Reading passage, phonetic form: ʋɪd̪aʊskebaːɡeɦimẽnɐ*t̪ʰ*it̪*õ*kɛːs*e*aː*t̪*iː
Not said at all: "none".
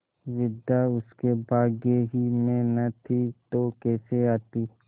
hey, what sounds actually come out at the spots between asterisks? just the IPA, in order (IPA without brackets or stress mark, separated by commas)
t̪ʰ, o, e, t̪